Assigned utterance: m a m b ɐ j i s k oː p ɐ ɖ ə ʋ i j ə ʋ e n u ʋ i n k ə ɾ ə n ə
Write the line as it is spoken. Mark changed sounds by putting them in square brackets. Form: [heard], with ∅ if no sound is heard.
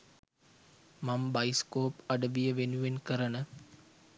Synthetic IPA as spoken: m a m b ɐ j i s k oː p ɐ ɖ ə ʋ i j ə ʋ e n u ʋ [e] n k ə ɾ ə n ə